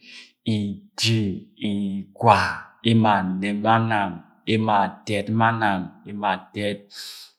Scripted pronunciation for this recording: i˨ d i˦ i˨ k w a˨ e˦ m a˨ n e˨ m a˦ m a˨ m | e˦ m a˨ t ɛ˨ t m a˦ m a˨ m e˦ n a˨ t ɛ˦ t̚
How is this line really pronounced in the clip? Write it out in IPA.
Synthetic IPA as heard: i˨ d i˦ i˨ k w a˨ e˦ m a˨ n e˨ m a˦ n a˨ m | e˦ m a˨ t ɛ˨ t m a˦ n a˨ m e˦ m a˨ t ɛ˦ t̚